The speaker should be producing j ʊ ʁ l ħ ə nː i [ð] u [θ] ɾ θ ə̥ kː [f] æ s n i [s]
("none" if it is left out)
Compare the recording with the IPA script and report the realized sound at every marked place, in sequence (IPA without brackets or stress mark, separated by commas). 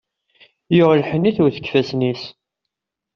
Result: θ, none, f, s